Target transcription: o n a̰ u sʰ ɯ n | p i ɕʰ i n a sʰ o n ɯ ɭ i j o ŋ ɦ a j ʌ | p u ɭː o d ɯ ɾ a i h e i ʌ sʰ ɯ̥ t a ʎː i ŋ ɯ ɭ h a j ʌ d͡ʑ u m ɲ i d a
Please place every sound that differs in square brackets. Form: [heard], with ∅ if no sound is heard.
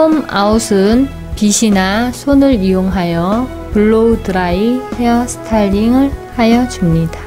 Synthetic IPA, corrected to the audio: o [m] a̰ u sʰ ɯ n | p i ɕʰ i n a sʰ o n ɯ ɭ i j o ŋ ɦ a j ʌ | p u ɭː o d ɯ ɾ a i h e [j] ʌ sʰ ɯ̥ [tʰ] a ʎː i ŋ ɯ ɭ h a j ʌ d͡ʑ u m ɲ i d a

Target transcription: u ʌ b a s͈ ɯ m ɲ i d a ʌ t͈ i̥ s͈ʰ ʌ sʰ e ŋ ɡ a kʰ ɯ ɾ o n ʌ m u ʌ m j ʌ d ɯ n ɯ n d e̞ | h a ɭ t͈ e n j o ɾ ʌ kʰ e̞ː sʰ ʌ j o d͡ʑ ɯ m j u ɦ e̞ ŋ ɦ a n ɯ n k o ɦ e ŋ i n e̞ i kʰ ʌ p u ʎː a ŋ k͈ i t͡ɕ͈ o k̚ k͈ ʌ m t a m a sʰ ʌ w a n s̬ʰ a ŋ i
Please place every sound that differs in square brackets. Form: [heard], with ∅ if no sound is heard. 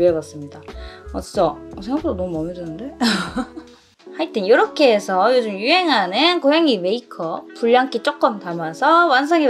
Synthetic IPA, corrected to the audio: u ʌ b a s͈ ɯ m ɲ i d a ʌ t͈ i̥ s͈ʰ ʌ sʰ e ŋ ɡ a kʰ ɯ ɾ o n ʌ m u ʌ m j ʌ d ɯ n ɯ n d e̞ | h a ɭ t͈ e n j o ɾ ʌ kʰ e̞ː sʰ ʌ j o d͡ʑ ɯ m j u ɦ e̞ ŋ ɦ a n ɯ n k o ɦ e ŋ i [m] e̞ i kʰ ʌ p u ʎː a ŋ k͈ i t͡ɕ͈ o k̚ k͈ ʌ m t a m a sʰ ʌ w a n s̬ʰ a ŋ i

